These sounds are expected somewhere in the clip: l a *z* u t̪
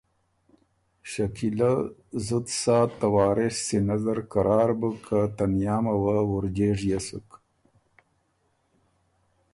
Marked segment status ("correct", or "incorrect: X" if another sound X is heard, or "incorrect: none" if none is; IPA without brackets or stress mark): correct